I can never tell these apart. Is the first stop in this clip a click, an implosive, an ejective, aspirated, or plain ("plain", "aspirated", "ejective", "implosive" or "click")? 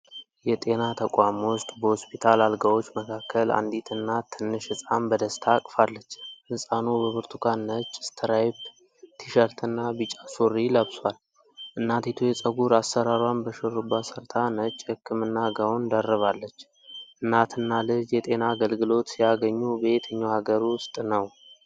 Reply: ejective